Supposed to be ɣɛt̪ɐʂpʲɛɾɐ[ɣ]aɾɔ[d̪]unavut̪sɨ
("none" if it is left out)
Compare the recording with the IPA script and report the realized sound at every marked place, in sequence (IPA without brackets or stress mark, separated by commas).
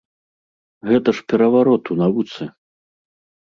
v, t̪